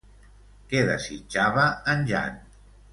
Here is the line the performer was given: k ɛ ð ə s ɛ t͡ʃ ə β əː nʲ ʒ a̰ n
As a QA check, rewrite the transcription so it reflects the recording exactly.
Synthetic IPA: k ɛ ð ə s i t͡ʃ a β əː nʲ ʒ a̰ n